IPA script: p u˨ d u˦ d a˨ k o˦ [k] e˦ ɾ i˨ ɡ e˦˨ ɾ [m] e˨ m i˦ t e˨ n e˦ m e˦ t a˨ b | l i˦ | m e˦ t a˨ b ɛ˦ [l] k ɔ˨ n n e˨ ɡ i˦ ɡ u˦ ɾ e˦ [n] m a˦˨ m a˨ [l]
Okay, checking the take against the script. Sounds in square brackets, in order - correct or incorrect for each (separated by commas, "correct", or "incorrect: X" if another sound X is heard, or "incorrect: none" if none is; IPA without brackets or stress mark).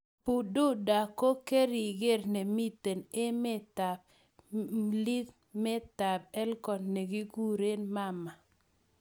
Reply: correct, incorrect: n, correct, correct, incorrect: none